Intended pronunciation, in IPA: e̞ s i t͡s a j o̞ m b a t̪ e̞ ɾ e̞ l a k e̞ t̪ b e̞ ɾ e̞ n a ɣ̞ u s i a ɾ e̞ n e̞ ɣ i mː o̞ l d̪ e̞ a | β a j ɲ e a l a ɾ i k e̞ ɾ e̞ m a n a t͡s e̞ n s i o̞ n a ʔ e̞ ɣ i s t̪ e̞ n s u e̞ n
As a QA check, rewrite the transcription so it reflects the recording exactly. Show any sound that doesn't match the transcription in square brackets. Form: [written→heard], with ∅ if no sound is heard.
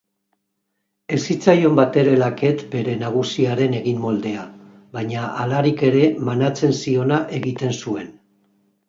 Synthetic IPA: e̞ s i t͡s a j o̞ m b a t̪ e̞ ɾ e̞ l a k e̞ t̪ b e̞ ɾ e̞ n a ɣ̞ u s i a ɾ e̞ n e̞ ɣ i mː o̞ l d̪ e̞ a | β a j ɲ [e→a] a l a ɾ i k e̞ ɾ e̞ m a n a t͡s e̞ n s i o̞ n a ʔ e̞ ɣ i [s→∅] t̪ e̞ n s u e̞ n